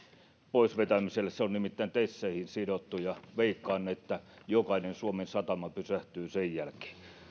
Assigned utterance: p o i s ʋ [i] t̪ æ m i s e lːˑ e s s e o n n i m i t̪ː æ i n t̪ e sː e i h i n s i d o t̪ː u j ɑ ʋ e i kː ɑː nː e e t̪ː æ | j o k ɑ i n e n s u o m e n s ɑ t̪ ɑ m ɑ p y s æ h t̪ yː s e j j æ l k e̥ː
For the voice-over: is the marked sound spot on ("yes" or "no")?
no